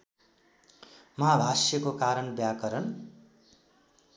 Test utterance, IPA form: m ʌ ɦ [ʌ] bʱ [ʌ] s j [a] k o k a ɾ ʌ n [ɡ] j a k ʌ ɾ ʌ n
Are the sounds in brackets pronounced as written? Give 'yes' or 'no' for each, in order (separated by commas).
no, no, no, no